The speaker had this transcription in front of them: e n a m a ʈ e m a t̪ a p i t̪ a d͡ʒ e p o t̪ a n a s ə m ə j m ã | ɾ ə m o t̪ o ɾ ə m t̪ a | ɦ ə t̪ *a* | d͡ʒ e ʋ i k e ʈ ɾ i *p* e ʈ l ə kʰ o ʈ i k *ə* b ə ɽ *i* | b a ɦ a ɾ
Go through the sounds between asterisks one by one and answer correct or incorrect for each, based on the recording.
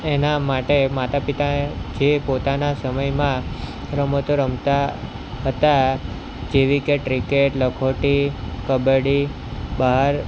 correct, incorrect: k, correct, correct

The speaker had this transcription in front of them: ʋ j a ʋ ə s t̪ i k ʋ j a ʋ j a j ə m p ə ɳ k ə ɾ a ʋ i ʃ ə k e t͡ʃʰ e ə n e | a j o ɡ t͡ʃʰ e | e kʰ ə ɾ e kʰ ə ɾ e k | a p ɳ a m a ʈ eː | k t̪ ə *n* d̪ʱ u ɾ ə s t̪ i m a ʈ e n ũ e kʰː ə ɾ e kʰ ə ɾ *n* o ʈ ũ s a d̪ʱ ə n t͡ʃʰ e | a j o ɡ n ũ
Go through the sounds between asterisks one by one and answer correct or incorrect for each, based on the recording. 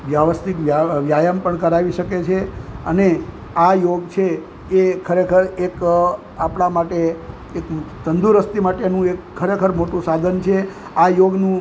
correct, incorrect: m

